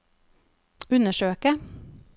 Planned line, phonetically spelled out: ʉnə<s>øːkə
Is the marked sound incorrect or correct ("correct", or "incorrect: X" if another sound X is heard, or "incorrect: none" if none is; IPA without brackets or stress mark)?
incorrect: ʃ